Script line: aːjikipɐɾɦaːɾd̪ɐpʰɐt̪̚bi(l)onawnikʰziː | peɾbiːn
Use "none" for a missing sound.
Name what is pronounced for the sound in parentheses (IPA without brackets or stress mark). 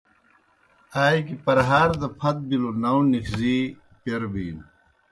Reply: l